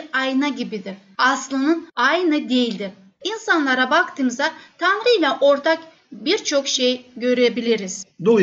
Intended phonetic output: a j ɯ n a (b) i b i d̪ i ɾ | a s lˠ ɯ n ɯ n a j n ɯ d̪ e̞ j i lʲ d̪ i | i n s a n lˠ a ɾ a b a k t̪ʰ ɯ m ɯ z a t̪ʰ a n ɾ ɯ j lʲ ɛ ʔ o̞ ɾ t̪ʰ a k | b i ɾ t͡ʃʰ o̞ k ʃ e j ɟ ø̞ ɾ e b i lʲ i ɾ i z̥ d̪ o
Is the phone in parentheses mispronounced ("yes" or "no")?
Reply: yes